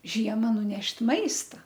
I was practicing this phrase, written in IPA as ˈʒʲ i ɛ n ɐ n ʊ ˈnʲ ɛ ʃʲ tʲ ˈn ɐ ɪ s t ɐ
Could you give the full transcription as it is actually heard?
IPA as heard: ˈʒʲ i ɛ m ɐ n ʊ ˈnʲ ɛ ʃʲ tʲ ˈm ɐ ɪ s t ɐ